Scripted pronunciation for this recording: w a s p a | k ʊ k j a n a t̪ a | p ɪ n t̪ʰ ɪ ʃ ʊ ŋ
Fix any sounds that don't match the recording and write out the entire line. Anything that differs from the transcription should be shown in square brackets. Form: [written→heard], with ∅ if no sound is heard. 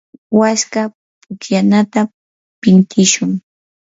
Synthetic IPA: w a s [p→k] a | [k→p] ʊ k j a n a t̪ a | p ɪ n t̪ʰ ɪ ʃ ʊ ŋ